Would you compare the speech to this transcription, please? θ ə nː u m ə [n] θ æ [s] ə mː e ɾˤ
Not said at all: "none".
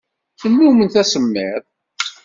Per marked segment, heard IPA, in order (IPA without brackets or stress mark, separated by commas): n, s